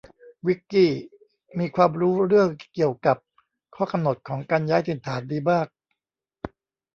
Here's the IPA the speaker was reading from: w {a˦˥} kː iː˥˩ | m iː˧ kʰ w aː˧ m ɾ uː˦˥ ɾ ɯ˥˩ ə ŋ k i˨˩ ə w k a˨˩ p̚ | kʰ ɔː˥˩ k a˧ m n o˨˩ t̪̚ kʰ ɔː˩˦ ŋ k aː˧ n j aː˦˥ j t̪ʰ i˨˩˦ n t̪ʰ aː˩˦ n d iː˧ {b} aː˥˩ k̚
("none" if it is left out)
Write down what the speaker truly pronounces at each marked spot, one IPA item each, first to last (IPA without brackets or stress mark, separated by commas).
i˦˥, b